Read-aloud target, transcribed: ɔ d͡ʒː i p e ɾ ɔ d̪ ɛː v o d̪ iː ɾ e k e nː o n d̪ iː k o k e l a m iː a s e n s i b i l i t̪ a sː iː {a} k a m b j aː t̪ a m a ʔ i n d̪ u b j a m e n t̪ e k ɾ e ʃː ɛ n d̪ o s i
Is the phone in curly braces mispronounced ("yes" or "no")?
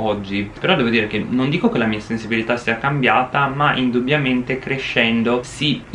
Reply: no